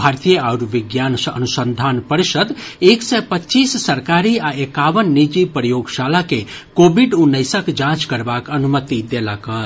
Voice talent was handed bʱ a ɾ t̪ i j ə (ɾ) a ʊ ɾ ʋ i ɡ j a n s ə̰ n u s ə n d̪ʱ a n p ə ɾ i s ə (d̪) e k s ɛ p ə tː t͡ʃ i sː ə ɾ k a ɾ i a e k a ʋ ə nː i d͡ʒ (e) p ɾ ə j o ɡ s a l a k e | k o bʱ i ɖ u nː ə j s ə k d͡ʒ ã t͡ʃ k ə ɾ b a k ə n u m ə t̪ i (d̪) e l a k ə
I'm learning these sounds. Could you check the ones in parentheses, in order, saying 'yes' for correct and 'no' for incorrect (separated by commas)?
no, yes, no, yes